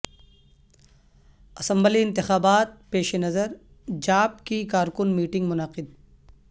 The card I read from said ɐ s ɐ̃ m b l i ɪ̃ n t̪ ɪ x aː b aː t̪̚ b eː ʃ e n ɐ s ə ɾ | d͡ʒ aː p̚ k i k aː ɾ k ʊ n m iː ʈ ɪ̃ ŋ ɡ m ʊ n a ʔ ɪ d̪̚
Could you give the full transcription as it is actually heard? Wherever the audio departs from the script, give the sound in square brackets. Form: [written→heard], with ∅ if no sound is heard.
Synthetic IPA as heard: ɐ s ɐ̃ m b l i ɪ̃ n t̪ ɪ x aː b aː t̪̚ [b→p] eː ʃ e n ɐ [s→z] ə ɾ | d͡ʒ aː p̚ k i k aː ɾ k ʊ n m iː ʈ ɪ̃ ŋ ɡ m ʊ n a [ʔ→q] ɪ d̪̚